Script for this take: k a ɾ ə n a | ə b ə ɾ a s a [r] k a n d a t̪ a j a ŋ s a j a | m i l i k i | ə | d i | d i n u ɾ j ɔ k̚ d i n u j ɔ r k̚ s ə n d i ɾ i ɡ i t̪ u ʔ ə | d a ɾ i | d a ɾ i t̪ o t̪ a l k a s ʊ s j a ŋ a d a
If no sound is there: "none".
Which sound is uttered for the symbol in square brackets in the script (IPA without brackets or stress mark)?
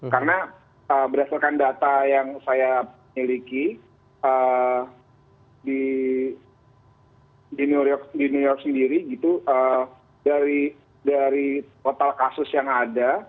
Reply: l